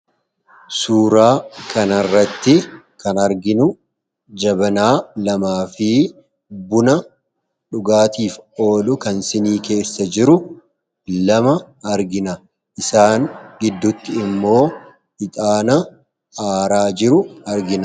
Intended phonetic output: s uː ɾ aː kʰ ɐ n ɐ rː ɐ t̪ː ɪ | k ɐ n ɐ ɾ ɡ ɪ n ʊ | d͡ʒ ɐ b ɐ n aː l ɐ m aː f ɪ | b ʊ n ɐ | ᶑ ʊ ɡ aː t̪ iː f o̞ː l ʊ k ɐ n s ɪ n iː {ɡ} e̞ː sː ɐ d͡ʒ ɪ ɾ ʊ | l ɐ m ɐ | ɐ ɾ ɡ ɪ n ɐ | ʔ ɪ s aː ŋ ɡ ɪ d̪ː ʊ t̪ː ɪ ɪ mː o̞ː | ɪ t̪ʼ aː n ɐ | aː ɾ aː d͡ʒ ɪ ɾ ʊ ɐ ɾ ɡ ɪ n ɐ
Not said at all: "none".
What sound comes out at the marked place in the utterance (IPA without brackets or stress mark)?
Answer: k